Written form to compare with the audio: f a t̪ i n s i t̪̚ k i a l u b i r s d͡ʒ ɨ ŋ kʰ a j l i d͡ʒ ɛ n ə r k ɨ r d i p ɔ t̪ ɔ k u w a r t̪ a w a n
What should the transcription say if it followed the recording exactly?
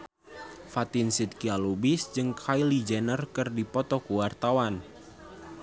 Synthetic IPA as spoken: f a t̪ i n s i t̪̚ k i a l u b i s d͡ʒ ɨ ŋ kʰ a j l i d͡ʒ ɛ n ə r k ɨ r d i p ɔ t̪ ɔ k u w a r t̪ a w a n